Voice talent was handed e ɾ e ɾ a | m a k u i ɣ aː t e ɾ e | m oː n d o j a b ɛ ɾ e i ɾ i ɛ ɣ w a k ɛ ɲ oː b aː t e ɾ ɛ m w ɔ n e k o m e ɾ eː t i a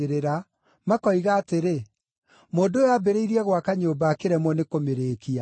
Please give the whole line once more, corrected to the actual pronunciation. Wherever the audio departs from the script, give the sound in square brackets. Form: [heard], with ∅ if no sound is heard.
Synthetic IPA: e ɾ e ɾ a | m a k [ɔ] i ɣ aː t e ɾ e | m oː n d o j a b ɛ ɾ e i ɾ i ɛ ɣ w a k [a] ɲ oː b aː [k] e ɾ ɛ m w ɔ n e k o m e ɾ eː [k] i a